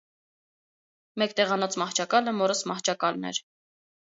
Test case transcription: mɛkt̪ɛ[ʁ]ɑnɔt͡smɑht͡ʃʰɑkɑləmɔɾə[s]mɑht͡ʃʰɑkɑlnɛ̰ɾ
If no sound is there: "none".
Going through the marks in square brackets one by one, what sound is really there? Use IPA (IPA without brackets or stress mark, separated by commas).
ʁ, s